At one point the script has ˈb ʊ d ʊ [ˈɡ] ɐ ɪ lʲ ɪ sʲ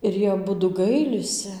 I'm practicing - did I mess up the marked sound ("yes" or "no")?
no